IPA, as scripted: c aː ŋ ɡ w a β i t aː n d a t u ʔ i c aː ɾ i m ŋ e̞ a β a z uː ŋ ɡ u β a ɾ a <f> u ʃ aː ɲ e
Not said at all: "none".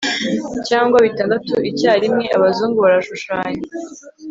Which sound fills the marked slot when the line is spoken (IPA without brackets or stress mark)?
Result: ʃ